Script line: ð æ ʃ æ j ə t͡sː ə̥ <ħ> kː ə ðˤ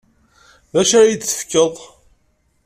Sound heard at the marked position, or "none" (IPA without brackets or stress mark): f